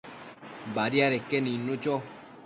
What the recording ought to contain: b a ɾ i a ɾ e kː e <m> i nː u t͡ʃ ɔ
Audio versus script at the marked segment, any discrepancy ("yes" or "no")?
yes